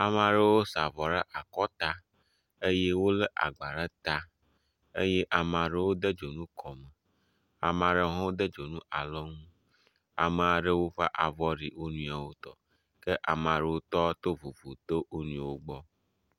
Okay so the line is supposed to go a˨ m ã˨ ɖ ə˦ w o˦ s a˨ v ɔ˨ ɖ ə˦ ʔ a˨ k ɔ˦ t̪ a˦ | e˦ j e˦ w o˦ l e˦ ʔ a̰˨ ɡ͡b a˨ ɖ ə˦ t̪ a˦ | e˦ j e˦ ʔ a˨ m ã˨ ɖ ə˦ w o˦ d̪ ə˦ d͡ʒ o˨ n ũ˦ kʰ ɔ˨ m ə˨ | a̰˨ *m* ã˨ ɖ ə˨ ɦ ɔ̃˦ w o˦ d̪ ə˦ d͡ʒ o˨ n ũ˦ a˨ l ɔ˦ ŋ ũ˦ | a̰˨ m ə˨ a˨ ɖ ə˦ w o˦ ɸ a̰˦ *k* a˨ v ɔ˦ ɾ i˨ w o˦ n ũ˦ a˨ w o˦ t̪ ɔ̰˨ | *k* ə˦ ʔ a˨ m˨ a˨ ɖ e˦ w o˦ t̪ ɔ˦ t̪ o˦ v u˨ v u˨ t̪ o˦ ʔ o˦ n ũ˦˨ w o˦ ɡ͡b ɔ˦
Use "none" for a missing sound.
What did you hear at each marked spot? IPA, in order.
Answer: m, ʔ, k

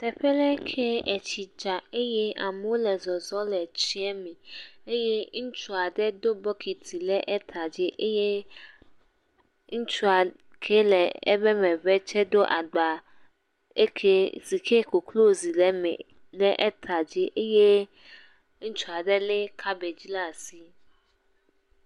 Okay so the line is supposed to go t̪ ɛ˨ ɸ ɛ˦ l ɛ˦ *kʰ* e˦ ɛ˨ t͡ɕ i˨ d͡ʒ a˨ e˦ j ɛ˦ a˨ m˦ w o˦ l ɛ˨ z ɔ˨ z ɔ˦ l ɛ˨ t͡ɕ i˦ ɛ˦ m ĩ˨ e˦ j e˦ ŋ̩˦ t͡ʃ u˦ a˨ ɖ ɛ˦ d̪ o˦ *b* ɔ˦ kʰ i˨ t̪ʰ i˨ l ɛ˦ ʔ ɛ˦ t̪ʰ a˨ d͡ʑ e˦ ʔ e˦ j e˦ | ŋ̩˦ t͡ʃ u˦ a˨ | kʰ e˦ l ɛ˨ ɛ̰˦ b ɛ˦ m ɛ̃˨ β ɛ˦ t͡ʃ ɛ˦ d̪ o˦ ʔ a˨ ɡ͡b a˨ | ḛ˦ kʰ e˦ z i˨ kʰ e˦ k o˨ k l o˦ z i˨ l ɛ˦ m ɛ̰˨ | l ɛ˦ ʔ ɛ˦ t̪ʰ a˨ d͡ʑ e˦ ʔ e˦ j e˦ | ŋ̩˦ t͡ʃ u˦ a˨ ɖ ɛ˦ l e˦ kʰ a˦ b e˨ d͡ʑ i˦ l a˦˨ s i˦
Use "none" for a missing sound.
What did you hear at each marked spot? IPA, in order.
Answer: kʰ, b

